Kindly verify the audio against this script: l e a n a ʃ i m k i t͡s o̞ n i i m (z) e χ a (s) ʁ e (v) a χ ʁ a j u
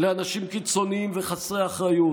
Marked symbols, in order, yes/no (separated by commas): no, yes, no